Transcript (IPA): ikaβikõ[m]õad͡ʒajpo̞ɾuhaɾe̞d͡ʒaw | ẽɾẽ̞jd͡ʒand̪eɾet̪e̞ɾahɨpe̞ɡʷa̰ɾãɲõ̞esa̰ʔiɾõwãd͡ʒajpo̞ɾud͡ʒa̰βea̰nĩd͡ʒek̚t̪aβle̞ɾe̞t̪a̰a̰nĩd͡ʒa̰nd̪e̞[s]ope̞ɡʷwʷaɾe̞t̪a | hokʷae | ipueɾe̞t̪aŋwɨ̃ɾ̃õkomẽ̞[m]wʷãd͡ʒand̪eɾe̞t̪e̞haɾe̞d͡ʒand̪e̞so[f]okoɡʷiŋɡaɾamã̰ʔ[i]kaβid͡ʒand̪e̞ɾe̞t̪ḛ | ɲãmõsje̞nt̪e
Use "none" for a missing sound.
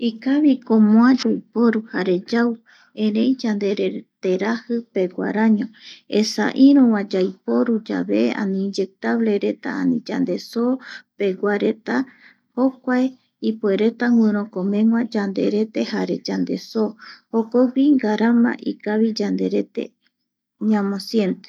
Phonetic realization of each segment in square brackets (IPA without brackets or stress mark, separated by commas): m, s, ŋ, h, i